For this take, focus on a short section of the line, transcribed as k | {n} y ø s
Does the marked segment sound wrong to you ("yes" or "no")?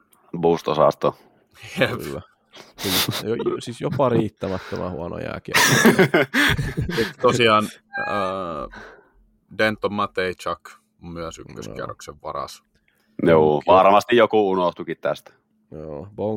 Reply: yes